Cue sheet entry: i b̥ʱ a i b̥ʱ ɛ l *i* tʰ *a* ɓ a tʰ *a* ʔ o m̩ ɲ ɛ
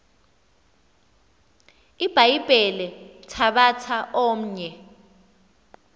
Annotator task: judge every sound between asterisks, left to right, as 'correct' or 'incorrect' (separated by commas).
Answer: incorrect, correct, correct